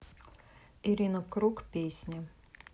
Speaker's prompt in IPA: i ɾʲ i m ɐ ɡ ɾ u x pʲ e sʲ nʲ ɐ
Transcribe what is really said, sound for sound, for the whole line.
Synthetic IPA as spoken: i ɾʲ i n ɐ k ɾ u k pʲ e sʲ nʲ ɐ